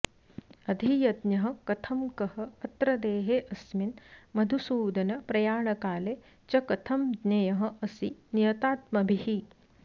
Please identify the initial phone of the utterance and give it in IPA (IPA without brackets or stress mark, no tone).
ɐ